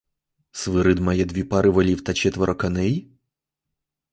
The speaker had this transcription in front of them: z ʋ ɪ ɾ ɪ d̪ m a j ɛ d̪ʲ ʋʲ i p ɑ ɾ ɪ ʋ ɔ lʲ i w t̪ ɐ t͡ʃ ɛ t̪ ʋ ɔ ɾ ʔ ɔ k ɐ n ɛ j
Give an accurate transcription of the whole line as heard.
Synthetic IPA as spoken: s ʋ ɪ ɾ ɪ d̪ m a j ɛ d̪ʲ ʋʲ i p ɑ ɾ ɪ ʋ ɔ lʲ i w t̪ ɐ t͡ʃ ɛ t̪ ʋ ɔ ɾ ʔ ɔ k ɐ n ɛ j